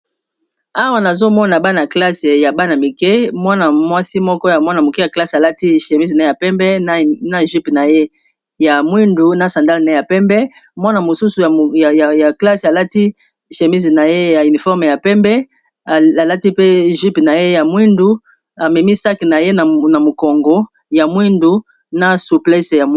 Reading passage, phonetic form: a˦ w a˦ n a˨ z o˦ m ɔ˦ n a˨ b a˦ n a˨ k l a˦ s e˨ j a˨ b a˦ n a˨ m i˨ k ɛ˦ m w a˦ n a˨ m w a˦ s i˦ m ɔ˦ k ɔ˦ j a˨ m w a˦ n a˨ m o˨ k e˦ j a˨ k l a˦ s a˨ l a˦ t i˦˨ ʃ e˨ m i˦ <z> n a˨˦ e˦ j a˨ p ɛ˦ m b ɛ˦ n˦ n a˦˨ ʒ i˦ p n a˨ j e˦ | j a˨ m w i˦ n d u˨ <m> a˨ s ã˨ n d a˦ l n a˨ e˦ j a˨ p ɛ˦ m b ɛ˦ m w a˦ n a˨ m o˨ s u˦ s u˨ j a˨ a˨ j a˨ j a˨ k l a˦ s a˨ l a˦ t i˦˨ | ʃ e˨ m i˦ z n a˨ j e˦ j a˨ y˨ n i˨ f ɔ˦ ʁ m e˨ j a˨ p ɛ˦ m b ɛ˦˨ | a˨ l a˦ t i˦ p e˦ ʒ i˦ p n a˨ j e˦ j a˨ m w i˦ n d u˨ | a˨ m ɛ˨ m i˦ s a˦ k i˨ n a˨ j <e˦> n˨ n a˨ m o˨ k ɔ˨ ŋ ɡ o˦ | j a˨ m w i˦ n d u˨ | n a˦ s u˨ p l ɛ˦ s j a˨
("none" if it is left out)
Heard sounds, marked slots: z, n, e˦

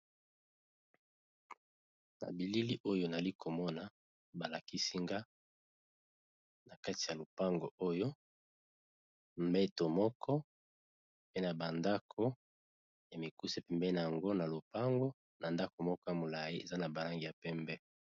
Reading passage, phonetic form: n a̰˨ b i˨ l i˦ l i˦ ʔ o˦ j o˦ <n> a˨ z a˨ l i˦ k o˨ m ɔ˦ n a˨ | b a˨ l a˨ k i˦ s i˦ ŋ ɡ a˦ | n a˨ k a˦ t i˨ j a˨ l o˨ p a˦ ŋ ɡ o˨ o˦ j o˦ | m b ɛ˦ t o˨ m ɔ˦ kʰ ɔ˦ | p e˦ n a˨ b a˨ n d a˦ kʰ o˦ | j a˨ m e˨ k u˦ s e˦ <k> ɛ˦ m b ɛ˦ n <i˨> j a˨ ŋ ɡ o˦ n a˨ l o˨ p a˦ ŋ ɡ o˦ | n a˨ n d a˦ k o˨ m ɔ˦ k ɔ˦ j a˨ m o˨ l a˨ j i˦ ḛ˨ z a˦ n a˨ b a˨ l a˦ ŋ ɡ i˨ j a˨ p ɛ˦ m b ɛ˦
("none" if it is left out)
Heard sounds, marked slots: n, p, a˨

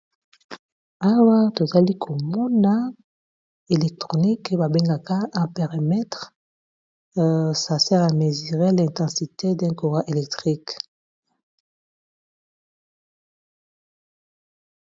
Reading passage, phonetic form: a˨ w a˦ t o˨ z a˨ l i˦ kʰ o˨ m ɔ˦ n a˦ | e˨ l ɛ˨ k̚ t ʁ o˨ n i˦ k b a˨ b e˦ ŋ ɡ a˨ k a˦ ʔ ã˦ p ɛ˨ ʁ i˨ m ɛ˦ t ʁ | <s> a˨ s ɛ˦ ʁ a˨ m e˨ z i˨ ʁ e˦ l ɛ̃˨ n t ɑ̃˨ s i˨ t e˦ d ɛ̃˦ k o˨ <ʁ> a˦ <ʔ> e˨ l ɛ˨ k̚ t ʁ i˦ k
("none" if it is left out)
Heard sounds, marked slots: s, ʁ, ʔ

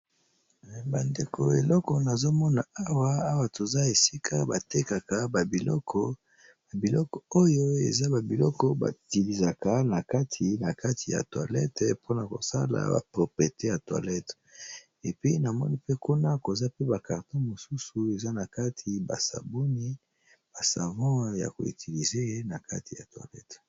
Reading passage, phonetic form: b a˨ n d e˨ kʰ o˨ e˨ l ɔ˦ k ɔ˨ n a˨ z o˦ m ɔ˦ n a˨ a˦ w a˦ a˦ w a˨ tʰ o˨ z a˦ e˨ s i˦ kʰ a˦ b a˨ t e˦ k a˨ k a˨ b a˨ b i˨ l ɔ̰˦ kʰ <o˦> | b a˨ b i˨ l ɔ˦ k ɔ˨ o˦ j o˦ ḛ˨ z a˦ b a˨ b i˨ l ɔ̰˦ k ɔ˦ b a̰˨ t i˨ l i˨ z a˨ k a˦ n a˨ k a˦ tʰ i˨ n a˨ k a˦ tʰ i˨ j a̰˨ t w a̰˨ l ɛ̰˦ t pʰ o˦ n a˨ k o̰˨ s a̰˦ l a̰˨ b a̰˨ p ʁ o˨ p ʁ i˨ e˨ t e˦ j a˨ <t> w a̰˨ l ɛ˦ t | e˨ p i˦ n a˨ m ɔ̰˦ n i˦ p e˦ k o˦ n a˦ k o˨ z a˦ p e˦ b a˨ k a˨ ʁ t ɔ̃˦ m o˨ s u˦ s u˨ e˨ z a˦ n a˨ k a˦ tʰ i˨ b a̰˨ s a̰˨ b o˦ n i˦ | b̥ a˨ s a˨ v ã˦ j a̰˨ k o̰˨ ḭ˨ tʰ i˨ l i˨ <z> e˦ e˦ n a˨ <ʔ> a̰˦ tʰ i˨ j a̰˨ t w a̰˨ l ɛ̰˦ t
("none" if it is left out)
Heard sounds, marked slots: ɔ˦, t, z, k

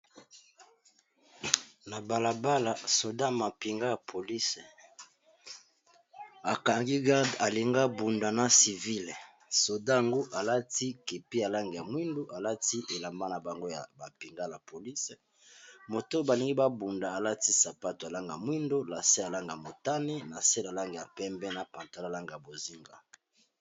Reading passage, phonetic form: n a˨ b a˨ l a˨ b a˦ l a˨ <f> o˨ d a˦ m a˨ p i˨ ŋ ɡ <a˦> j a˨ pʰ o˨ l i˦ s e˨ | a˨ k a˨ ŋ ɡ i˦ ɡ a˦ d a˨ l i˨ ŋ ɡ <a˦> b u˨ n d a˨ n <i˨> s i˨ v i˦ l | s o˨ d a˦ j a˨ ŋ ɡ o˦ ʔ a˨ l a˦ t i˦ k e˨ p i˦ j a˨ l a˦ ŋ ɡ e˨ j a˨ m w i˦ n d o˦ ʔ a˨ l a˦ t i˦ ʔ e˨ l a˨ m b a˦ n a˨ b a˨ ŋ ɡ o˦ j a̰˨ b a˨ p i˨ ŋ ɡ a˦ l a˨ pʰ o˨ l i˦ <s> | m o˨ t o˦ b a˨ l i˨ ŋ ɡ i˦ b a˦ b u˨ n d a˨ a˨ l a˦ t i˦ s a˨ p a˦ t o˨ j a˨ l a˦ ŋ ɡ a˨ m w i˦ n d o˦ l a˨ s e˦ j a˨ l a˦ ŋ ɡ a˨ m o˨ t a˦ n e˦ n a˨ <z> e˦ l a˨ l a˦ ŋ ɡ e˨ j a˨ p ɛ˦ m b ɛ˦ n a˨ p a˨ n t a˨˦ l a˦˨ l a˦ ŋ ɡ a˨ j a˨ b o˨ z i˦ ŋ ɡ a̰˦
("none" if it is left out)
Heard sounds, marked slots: s, a˦, a˦, a˨, s, s

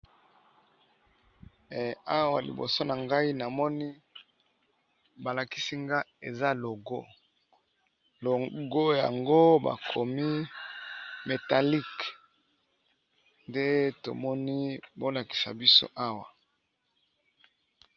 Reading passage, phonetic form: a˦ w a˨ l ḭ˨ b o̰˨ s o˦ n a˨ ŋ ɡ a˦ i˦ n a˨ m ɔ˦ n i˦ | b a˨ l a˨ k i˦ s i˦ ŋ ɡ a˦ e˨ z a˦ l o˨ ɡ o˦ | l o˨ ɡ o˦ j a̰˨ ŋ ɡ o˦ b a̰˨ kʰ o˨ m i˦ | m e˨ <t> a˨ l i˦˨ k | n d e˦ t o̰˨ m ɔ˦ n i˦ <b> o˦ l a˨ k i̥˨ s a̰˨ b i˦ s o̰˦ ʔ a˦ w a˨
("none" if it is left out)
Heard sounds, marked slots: t, b

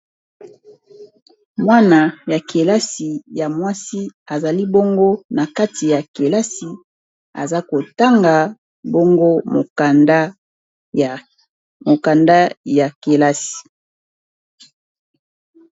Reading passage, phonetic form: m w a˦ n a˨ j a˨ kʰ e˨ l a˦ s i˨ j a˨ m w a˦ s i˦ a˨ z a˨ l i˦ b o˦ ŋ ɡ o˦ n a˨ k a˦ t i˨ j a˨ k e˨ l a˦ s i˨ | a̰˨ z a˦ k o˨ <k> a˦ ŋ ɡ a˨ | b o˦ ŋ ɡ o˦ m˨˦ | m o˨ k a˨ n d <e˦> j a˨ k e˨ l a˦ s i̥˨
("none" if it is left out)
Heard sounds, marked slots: t, a˦

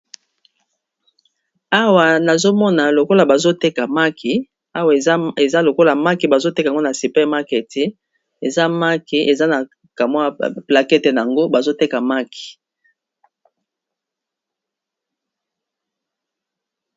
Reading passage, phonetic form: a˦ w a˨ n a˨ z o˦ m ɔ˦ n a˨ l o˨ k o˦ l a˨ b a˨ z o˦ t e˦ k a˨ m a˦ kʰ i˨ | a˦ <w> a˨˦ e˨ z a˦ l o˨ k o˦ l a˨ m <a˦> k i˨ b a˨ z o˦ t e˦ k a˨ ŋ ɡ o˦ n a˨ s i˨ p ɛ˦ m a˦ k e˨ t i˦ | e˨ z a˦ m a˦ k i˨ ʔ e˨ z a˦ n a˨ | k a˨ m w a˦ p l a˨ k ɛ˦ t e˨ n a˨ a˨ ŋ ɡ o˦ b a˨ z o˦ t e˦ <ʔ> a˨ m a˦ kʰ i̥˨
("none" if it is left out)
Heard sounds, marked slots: w, a˦, k

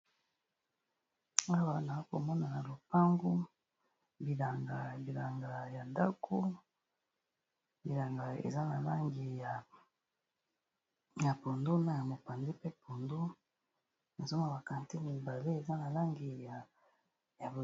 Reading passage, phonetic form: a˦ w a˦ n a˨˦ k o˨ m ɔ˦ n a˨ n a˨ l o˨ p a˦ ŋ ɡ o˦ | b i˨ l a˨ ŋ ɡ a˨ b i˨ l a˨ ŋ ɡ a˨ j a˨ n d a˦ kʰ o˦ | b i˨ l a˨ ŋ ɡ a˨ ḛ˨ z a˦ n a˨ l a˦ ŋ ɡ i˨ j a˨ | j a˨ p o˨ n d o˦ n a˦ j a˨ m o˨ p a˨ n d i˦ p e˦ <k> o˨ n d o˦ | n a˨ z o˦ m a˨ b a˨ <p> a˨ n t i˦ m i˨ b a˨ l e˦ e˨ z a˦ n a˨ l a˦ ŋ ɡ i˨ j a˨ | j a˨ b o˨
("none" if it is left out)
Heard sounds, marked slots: p, k

